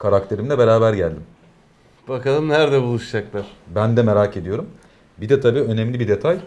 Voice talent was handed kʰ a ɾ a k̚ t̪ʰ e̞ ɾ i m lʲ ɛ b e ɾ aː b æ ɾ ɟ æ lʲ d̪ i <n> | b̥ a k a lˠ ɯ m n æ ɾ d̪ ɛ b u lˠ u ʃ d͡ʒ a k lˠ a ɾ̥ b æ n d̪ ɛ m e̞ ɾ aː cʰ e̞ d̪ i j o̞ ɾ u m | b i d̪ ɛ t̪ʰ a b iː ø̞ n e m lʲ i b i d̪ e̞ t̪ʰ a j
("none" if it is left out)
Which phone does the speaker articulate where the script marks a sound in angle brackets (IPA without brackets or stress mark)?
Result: m